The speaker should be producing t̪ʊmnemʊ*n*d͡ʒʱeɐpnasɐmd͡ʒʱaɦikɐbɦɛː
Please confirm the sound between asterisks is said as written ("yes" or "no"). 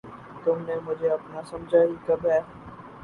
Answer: no